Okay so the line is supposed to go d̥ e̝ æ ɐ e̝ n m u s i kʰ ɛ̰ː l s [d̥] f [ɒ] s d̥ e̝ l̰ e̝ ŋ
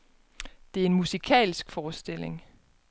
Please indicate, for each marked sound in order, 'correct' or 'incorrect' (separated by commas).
incorrect, incorrect